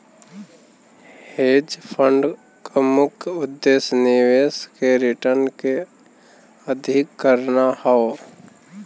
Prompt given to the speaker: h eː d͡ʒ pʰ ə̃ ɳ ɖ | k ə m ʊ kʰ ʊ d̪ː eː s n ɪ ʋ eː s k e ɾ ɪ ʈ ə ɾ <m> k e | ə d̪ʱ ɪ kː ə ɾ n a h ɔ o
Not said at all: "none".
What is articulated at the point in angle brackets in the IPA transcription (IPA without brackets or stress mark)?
n